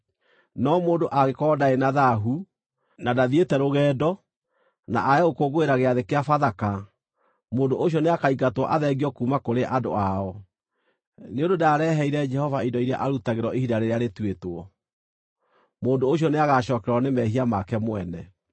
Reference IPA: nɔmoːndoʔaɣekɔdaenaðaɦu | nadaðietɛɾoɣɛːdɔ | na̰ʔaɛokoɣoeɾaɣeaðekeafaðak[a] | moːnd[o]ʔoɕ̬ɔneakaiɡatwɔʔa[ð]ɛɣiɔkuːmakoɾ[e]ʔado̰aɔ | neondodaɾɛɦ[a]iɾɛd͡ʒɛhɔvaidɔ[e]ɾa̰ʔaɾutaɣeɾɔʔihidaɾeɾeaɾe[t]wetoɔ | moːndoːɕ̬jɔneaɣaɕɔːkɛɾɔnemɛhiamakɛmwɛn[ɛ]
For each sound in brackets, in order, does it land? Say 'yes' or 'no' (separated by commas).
yes, yes, yes, yes, no, no, yes, yes